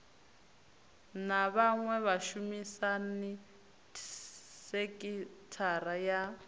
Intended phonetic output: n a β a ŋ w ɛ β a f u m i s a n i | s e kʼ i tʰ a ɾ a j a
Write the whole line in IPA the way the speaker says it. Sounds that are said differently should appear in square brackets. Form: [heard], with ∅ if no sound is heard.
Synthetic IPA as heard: n a β a ŋ w ɛ β a [ʃ] u m i s a n i | s e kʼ i tʰ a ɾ a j a

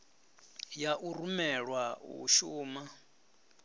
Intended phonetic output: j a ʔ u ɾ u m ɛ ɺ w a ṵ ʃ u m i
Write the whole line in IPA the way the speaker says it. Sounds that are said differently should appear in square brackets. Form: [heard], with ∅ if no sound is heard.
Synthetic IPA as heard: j a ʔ u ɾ u m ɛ ɺ w a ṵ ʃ [uː] m [a]

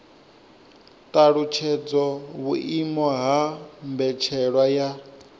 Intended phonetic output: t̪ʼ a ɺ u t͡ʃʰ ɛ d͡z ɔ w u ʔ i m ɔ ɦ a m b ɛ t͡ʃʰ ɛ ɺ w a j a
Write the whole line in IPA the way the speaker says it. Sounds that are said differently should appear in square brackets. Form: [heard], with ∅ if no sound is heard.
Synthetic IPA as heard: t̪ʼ a ɺ u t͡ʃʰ ɛ d͡z ɔ [β] u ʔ i m ɔ ɦ a m b ɛ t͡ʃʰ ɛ ɺ w a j a

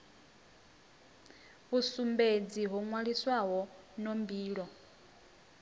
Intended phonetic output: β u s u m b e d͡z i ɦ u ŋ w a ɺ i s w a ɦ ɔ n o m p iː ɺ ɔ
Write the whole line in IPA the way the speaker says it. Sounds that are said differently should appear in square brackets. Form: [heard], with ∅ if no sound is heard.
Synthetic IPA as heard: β u s u m b e d͡z i ɦ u ŋ w a ɺ i s w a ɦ ɔ n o m [b] iː ɺ ɔ

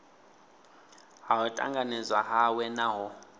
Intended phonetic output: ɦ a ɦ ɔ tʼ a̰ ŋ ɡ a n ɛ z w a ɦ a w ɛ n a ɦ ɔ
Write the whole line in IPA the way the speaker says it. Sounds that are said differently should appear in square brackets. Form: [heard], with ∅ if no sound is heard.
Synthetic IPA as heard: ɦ a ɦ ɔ tʼ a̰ ŋ ɡ a n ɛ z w a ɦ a w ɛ n a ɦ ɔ

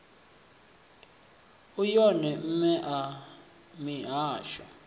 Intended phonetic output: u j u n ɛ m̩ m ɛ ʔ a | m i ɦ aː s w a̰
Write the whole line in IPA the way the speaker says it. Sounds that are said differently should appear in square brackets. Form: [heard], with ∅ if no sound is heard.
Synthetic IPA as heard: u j [ɔ] n ɛ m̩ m ɛ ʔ a | m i ɦ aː [ʃ] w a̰

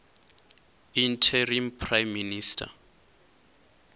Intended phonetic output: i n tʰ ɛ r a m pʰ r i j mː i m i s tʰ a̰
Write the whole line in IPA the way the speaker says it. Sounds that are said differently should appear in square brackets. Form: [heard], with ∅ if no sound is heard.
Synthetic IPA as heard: i n tʰ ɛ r [i] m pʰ r [a] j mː i [n] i s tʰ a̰

